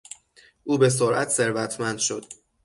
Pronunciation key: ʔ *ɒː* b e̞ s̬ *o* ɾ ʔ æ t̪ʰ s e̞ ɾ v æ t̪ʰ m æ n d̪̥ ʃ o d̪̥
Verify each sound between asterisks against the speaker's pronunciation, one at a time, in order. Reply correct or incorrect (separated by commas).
incorrect, correct